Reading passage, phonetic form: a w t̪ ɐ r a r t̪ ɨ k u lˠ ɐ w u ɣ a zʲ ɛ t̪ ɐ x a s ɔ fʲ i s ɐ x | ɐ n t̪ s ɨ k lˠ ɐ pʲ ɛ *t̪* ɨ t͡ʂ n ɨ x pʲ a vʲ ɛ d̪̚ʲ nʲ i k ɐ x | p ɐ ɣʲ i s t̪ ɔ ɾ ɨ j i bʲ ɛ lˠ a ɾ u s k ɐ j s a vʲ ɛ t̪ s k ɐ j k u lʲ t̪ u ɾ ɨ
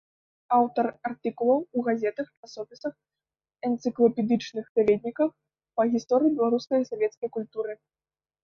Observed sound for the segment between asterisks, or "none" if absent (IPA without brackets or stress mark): d̪